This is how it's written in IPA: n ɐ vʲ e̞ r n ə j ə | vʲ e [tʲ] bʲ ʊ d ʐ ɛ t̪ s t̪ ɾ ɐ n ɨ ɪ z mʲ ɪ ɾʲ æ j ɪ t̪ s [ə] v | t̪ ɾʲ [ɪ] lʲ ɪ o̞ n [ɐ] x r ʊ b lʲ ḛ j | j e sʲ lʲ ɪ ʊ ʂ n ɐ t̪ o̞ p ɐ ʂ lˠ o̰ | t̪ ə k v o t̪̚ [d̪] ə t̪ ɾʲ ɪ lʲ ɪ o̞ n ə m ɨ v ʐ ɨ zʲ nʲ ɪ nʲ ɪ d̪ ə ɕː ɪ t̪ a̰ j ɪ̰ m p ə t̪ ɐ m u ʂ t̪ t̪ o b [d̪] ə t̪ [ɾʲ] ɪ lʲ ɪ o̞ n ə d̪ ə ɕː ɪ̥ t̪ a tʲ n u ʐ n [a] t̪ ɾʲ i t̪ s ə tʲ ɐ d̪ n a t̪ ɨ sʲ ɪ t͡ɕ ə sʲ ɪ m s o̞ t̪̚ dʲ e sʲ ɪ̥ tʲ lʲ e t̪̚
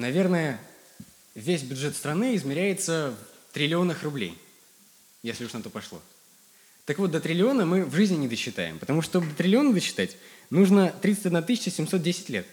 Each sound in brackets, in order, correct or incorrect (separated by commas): incorrect, correct, correct, incorrect, correct, correct, correct, incorrect